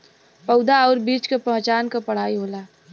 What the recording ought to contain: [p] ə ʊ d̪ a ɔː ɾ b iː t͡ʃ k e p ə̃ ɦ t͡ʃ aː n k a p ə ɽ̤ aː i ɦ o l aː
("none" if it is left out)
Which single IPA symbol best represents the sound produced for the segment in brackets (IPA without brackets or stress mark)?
p